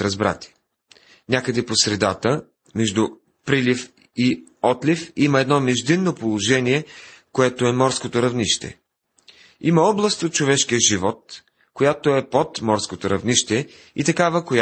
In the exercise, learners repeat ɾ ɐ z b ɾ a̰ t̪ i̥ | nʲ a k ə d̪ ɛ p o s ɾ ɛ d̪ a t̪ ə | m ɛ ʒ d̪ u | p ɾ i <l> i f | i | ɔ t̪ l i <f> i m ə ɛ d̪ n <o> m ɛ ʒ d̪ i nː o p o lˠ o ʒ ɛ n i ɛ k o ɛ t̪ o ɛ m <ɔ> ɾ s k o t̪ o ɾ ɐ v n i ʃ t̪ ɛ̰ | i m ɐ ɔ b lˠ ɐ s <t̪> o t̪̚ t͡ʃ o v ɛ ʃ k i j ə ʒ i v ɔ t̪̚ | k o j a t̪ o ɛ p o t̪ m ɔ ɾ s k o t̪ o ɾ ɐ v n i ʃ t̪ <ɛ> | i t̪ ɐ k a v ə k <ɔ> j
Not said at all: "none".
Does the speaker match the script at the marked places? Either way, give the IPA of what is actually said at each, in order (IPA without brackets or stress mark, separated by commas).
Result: l, f, ɔ, ɔ, t̪, ɛ, o